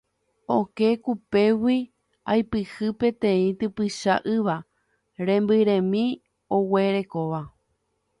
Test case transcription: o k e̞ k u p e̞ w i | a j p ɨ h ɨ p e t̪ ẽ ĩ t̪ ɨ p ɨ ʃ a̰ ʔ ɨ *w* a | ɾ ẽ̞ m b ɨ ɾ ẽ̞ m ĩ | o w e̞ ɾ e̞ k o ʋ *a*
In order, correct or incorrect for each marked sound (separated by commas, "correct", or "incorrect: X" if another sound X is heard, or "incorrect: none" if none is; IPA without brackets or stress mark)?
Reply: incorrect: ʋ, correct